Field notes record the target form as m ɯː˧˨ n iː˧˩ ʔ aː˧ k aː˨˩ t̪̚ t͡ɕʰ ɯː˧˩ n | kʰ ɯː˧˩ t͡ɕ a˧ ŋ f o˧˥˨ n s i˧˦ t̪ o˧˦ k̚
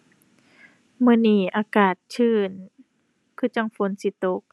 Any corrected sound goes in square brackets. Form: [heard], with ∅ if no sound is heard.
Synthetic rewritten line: m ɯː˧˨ n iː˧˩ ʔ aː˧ k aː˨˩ t̪̚ t͡ɕʰ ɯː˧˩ n | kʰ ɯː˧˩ t͡ɕ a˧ ŋ f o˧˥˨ n s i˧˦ t̪ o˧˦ k̚

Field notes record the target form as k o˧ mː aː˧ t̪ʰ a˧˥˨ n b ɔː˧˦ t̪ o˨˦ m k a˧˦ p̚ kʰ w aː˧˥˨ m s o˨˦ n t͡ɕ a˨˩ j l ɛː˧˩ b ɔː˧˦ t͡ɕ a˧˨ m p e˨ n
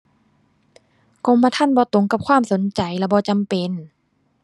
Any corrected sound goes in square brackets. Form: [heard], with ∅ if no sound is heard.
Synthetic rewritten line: k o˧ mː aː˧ t̪ʰ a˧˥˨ n b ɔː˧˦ t̪ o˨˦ [ŋ] k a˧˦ p̚ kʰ w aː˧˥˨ m s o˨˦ n t͡ɕ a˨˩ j l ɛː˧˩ b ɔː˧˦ t͡ɕ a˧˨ m p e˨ n

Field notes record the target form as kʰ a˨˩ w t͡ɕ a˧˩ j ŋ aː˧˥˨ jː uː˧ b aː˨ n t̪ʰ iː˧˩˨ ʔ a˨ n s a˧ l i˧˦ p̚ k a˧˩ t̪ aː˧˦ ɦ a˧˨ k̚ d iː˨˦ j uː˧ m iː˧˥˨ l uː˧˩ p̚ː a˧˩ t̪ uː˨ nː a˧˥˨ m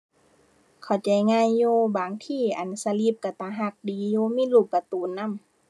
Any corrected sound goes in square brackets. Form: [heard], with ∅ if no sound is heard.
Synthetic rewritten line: kʰ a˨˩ w t͡ɕ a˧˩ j ŋ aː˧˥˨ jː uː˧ b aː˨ [ŋ] t̪ʰ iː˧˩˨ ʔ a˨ n s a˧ l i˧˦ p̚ k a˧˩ t̪ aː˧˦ ɦ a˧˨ k̚ d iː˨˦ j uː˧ m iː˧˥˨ l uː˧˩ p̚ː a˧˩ t̪ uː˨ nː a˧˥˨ m

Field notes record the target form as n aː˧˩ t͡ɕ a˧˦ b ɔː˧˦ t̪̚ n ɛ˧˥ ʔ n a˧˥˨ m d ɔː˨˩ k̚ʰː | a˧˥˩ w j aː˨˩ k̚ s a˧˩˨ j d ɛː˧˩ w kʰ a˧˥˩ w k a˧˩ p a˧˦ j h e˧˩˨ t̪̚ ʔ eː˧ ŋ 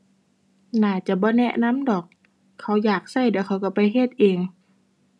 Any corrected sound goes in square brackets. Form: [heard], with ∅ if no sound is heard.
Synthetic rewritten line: n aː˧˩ t͡ɕ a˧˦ b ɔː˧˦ [∅] n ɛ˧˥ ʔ n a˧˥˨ m d ɔː˨˩ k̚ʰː | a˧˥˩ w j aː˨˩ k̚ s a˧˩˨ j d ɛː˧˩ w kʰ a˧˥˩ w k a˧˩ p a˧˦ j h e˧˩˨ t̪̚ ʔ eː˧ ŋ

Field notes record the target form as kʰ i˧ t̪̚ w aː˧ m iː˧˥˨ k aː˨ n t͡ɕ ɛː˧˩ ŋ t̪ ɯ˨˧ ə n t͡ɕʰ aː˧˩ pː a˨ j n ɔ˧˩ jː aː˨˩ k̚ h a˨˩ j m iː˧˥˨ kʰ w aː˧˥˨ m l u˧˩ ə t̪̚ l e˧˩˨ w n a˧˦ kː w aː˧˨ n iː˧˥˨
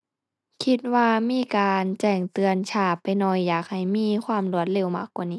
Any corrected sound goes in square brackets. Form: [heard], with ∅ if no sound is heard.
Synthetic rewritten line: kʰ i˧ t̪̚ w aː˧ m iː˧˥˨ k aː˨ n t͡ɕ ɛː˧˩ ŋ t̪ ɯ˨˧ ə n t͡ɕʰ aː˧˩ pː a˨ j n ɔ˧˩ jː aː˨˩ k̚ h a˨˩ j m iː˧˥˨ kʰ w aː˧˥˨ m l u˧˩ ə t̪̚ l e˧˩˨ w [m] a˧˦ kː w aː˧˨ n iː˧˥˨

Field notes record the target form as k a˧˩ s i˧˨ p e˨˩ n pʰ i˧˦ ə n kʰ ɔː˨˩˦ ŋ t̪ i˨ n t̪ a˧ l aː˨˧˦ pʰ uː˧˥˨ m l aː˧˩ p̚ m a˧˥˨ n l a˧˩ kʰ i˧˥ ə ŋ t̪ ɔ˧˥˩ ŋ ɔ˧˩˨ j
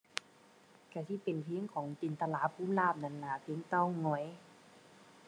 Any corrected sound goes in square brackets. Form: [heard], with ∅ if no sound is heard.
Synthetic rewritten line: k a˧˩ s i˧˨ p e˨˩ n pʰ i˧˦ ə [ŋ] kʰ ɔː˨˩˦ ŋ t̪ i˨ n t̪ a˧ l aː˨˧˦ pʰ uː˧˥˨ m l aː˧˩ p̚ [n] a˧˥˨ n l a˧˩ [pʰ] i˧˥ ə ŋ t̪ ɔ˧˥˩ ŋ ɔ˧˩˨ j

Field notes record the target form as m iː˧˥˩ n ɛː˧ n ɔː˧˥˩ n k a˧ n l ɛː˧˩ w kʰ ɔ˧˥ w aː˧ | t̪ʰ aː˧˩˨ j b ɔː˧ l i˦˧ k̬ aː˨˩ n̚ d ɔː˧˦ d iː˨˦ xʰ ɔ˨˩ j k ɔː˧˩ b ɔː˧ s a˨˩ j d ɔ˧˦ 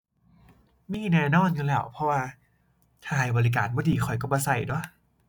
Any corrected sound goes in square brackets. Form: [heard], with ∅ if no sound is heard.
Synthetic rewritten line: m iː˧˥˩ n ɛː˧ n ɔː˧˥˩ n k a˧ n l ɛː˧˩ w [pʰ] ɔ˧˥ w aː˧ | t̪ʰ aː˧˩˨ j b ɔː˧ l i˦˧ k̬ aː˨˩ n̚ [b] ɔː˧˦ d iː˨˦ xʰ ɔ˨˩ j k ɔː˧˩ b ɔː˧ s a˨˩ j d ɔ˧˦

